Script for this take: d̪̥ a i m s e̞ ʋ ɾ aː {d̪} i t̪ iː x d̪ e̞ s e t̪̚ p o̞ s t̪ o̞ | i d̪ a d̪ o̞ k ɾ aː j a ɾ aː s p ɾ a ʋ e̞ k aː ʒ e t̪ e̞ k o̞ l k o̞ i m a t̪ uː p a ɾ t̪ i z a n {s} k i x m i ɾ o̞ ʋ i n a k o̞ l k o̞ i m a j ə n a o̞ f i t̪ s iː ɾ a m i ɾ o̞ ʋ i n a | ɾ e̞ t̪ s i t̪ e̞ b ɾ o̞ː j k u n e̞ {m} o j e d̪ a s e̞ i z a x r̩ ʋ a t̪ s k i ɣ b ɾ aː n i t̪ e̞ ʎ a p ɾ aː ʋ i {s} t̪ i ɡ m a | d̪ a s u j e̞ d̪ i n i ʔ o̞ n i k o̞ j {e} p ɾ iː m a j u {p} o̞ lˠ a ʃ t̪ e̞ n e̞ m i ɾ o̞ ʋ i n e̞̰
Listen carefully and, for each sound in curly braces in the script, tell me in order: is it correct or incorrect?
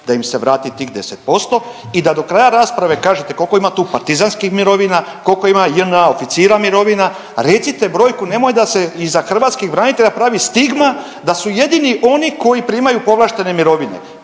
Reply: incorrect: t̪, correct, correct, correct, incorrect: i, correct

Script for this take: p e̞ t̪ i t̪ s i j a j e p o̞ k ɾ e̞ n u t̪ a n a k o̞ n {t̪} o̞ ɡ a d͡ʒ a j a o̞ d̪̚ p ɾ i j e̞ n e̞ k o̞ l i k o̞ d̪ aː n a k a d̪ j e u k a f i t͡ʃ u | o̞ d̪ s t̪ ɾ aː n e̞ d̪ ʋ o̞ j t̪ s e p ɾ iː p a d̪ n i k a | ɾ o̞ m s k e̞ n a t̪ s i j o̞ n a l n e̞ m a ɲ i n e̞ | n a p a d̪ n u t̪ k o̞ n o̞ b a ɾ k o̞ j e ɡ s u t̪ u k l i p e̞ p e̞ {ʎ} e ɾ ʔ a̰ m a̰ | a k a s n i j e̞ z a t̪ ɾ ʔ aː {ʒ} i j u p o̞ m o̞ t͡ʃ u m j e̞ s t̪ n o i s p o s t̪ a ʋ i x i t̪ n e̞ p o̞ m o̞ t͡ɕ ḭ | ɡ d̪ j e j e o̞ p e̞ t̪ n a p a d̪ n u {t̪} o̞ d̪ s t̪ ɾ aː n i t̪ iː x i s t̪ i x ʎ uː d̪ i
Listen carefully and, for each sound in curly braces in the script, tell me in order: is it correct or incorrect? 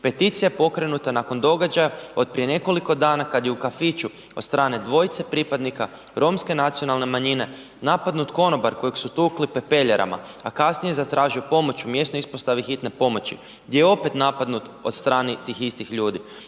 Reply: incorrect: d̪, correct, correct, correct

